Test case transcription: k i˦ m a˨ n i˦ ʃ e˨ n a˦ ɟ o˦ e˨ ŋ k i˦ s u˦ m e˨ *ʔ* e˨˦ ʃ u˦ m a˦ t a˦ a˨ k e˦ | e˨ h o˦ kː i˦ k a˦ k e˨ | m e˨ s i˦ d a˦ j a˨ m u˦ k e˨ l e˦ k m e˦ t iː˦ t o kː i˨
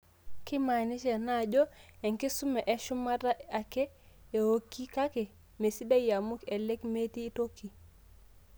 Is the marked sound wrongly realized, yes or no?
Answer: no